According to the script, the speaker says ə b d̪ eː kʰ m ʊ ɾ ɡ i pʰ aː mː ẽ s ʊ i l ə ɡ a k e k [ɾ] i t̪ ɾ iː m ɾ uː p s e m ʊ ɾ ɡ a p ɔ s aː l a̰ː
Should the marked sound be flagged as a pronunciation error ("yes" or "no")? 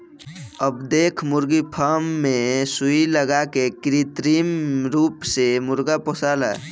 no